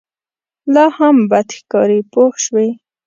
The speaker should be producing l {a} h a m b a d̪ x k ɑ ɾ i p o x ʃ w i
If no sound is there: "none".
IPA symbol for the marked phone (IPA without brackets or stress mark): ɑ